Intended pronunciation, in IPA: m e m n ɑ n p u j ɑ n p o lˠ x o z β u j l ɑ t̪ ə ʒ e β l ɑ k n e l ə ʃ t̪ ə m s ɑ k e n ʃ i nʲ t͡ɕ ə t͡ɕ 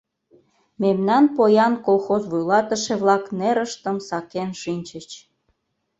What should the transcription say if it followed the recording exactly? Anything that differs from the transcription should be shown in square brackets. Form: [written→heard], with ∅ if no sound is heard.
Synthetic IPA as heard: m e m n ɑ n p [u→o] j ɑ n [p→k] o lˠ x o z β u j l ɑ t̪ ə [ʒ→ʃ] e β l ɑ k n e [l→ɾ] ə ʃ t̪ ə m s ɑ k e n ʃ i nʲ t͡ɕ ə t͡ɕ